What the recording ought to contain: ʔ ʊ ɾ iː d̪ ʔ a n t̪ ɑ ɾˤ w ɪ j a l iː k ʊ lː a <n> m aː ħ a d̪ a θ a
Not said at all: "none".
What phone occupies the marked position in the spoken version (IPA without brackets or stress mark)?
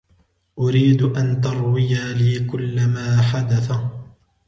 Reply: none